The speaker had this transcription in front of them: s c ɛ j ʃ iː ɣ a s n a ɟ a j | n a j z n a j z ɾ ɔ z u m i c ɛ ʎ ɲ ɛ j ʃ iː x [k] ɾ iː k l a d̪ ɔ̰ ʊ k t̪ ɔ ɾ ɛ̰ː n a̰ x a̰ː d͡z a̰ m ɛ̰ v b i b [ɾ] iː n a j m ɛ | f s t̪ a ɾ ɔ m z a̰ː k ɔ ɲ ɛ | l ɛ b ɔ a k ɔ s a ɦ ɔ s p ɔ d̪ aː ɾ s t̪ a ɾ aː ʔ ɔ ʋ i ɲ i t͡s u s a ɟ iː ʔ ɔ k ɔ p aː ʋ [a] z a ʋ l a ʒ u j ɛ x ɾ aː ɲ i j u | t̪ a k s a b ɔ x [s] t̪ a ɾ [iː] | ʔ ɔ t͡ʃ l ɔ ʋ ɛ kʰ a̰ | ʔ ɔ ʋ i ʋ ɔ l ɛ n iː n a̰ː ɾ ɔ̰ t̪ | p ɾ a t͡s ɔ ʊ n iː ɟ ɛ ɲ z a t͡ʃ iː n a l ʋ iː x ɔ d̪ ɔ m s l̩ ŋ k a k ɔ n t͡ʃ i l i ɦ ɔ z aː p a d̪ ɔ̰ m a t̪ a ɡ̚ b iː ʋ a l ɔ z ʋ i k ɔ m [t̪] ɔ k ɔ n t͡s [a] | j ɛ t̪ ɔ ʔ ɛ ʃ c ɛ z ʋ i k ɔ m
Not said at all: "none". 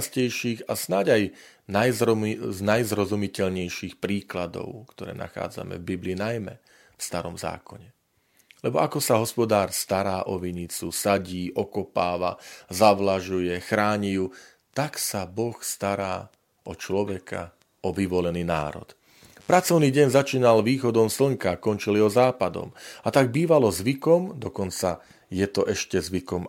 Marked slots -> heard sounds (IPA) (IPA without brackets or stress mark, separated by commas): p, l, a, s, aː, d̪, a